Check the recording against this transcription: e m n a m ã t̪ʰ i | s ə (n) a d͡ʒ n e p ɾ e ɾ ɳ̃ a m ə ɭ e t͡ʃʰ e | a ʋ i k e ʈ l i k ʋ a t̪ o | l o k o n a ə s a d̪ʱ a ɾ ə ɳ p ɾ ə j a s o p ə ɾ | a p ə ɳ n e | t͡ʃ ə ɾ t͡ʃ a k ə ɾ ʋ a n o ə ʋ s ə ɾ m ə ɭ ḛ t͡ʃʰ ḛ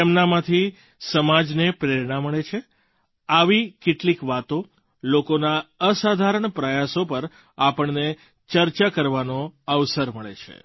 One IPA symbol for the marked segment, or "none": m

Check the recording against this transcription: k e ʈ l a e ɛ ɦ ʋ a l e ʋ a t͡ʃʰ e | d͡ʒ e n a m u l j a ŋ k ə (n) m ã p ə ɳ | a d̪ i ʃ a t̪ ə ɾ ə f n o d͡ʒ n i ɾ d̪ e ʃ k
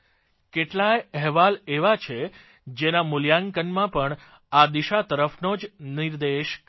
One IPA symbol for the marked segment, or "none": n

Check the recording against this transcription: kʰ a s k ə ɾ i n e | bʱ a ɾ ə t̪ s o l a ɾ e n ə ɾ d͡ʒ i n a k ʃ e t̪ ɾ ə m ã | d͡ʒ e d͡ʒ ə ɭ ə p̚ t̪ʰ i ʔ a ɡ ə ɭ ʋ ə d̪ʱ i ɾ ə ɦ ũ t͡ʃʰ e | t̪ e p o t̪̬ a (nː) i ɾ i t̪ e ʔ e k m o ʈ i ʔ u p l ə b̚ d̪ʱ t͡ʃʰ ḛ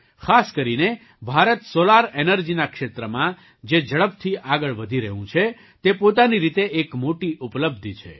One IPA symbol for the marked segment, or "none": n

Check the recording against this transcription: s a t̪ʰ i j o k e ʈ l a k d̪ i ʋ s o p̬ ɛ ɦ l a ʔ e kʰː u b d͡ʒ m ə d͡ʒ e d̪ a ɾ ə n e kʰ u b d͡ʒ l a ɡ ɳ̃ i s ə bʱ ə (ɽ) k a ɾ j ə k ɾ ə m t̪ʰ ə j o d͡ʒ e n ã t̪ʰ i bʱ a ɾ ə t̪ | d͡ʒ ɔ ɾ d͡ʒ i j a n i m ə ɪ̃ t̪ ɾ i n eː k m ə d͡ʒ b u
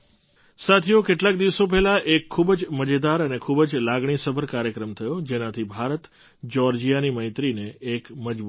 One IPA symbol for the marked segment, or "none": ɾ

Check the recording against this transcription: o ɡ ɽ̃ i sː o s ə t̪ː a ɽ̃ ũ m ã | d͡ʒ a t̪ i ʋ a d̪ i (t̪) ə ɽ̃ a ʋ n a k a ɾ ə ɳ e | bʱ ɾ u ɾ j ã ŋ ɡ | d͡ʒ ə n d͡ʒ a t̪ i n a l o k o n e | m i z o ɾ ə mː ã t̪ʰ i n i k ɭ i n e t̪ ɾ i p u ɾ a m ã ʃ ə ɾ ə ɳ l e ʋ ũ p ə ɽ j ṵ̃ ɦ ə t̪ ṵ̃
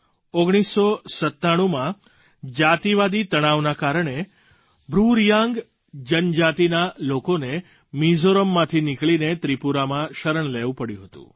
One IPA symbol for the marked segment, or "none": t̪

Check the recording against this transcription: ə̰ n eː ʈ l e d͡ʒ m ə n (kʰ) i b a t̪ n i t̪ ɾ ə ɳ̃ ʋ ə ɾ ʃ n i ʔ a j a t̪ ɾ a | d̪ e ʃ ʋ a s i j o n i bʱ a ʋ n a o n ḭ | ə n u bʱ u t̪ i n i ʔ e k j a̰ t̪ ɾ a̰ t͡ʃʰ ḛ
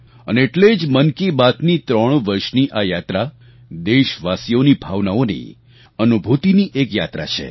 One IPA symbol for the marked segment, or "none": k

